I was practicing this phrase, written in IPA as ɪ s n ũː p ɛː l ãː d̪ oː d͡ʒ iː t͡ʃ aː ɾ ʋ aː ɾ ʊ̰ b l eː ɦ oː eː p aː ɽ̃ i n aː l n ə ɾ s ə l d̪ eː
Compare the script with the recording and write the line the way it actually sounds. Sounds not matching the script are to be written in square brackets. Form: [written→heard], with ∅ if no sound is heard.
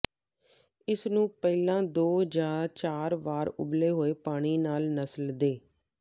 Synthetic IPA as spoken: ɪ s n ũː p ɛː l ãː d̪ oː d͡ʒ [iː→aː] t͡ʃ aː ɾ ʋ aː ɾ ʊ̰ b l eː ɦ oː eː p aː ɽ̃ [i→iː] n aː l n ə [ɾ→∅] s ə l d̪ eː